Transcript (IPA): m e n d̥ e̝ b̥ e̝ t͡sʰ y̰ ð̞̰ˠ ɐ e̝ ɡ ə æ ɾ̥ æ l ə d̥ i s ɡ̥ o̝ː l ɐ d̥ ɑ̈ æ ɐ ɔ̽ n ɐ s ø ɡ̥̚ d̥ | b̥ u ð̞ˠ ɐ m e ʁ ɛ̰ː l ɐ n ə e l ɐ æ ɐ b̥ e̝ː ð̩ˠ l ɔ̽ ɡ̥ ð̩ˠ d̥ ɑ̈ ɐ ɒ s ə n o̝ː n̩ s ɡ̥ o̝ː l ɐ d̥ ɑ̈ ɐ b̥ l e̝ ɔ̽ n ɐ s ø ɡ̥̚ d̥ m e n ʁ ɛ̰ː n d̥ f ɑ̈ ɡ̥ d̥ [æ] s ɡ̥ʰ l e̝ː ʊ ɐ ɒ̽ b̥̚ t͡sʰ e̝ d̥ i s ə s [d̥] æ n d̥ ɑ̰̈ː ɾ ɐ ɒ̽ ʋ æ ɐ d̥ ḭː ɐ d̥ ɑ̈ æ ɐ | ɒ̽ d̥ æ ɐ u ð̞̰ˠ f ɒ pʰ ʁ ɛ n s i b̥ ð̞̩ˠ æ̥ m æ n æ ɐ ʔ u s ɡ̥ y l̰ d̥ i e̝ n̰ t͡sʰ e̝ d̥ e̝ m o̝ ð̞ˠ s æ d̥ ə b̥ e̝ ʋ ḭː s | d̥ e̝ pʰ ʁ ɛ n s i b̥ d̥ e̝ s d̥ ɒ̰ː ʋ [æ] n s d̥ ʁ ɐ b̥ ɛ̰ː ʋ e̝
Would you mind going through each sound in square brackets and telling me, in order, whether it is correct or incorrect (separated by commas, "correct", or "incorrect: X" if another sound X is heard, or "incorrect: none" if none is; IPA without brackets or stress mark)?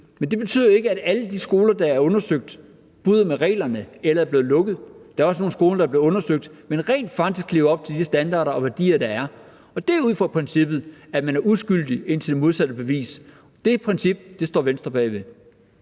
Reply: incorrect: i, correct, incorrect: e